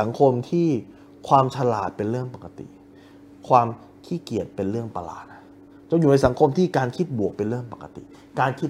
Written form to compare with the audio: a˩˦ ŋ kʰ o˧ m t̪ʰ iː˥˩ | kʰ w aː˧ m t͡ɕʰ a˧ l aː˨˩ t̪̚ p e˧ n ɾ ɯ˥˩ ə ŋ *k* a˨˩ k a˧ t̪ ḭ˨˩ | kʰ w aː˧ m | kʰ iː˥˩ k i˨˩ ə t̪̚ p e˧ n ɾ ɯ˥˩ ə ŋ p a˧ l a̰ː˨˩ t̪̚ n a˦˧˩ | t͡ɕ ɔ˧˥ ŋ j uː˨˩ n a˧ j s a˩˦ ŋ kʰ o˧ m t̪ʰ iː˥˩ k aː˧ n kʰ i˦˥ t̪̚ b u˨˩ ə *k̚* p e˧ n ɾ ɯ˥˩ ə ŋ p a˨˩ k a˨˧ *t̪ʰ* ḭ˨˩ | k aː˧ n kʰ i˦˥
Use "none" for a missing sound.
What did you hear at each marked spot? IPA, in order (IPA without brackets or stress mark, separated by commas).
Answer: p, k̚, t̪